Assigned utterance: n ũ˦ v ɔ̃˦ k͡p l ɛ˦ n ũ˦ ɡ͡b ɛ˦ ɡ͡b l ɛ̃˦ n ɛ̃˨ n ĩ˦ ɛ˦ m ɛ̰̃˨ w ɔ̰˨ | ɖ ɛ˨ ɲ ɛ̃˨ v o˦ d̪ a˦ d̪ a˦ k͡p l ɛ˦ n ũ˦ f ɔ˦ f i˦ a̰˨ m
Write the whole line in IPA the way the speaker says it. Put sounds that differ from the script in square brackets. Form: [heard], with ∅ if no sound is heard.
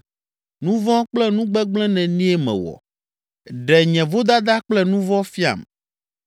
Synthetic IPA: n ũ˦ v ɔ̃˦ k͡p l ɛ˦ n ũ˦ ɡ͡b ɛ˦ ɡ͡b l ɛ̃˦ n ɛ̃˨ n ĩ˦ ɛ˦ m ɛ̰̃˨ w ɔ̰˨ | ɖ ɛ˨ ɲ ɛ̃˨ v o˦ d̪ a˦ d̪ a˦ k͡p l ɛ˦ n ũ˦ [v] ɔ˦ f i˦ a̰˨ m